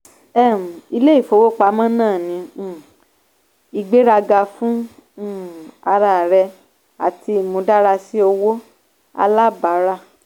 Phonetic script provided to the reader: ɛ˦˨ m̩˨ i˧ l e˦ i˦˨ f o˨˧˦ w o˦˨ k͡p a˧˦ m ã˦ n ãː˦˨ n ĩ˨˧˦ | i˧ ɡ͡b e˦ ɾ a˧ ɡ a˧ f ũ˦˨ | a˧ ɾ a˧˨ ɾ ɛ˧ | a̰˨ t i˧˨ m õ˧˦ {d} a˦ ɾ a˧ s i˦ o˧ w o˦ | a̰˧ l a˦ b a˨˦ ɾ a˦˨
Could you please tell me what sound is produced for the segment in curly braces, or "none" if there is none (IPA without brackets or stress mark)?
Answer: d